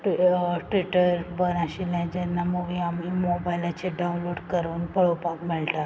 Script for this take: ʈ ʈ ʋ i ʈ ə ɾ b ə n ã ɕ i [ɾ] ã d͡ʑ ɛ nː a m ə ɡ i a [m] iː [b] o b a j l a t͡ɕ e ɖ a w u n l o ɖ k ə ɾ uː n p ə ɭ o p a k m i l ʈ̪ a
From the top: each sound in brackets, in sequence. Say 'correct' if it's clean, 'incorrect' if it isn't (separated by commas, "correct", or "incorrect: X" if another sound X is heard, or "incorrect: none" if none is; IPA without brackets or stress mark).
incorrect: l, correct, incorrect: m